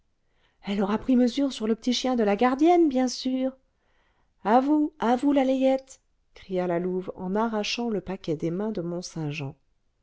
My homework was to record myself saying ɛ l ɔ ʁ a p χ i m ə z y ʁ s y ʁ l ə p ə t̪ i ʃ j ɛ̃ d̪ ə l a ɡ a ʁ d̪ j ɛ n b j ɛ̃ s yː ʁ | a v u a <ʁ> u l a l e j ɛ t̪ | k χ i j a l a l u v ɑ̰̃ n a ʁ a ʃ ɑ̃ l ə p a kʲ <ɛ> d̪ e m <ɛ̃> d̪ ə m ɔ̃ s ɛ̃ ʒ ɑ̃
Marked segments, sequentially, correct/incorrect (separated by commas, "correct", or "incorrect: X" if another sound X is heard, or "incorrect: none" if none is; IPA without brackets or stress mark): incorrect: v, correct, correct